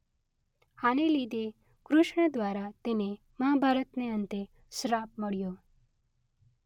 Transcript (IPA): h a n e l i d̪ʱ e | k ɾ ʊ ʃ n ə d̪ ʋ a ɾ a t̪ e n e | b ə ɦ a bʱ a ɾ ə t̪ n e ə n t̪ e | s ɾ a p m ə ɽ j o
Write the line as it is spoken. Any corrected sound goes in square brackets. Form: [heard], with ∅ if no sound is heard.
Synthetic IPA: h a n e l i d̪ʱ e | k ɾ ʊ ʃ [ɳ] ə d̪ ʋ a ɾ a t̪ e n e | [m] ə ɦ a bʱ a ɾ ə t̪ n e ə n t̪ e | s ɾ a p m ə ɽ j o